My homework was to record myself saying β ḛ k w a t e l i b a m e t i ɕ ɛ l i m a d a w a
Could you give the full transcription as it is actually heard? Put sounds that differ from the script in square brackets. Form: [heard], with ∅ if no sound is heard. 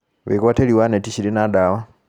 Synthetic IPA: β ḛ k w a t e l i [w] a [n] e t i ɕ [i] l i [n] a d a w a